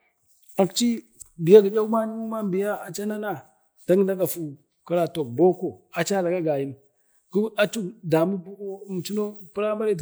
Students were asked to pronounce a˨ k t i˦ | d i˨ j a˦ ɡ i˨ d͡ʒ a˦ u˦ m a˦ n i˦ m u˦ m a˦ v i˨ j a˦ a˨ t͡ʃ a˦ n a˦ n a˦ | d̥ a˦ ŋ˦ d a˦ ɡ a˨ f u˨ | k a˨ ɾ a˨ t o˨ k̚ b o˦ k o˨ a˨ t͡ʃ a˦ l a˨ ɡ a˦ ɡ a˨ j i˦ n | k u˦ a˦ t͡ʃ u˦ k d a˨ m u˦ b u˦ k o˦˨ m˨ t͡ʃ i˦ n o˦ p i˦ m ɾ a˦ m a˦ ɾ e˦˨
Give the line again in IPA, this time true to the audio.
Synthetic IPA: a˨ k t͡ʃ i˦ | b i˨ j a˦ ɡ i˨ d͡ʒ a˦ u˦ m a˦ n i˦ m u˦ m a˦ b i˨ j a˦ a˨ t͡ʃ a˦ n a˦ n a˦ | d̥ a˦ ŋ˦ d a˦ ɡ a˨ f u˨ | k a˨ ɾ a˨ t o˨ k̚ b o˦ k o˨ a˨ t͡ʃ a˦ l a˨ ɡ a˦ ɡ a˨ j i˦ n | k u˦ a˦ t͡ʃ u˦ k d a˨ m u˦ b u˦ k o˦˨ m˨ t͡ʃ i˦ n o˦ p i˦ ɾ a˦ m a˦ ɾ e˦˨